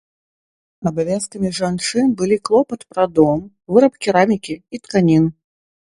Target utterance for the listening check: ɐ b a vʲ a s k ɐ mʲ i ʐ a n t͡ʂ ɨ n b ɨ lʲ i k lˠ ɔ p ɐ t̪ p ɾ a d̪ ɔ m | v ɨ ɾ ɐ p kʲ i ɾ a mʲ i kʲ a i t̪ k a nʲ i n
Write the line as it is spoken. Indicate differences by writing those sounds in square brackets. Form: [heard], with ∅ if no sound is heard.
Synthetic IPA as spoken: ɐ b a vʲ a s k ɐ mʲ i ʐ a n t͡ʂ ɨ n b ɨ lʲ i k lˠ ɔ p ɐ t̪ p ɾ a d̪ ɔ m | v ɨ ɾ ɐ p kʲ i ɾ a mʲ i kʲ [i] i t̪ k a nʲ i n